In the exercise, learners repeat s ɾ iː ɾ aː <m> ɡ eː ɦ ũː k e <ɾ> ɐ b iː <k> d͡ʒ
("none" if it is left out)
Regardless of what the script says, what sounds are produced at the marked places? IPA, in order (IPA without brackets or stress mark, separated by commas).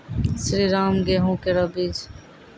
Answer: m, ɾ, none